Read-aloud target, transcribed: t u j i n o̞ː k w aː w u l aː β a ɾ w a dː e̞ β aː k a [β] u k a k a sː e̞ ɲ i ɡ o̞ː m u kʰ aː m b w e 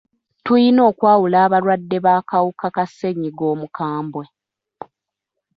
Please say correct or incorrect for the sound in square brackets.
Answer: incorrect